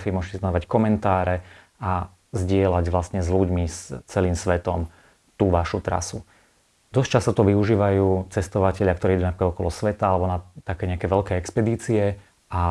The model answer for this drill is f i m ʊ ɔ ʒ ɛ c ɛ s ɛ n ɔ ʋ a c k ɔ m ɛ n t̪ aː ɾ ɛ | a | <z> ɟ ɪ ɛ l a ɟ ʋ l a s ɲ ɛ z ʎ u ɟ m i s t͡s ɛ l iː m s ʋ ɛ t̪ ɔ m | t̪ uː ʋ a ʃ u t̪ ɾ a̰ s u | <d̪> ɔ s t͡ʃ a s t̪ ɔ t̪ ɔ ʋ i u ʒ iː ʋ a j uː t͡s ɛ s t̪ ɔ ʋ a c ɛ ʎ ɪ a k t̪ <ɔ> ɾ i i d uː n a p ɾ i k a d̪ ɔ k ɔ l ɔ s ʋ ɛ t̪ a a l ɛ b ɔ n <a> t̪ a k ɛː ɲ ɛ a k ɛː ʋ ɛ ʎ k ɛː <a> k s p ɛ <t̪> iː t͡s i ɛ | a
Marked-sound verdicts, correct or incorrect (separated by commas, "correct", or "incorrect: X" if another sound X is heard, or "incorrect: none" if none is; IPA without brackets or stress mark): correct, correct, correct, correct, incorrect: ɛ, incorrect: d̪